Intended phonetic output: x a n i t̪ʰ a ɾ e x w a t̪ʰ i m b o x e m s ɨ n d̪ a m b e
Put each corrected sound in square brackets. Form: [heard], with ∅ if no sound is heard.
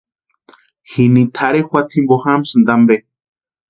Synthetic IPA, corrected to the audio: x [i] n i t̪ʰ a ɾ e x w a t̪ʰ i m b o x [a] m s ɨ n d̪ a m b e